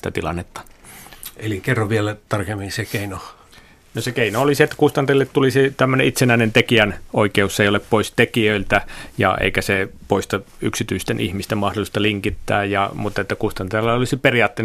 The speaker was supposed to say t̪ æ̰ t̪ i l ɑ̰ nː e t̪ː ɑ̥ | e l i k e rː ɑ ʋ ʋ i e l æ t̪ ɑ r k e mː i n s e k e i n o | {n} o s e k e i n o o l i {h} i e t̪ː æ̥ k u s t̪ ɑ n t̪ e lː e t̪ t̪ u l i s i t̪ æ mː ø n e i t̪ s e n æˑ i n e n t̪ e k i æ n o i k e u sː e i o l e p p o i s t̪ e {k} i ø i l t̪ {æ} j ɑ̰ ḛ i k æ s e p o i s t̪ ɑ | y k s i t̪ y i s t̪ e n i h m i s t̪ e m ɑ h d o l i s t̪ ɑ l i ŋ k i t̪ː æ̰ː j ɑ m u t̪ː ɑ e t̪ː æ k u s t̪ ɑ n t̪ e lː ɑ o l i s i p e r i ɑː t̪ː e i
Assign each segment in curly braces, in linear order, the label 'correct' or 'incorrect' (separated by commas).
correct, incorrect, correct, correct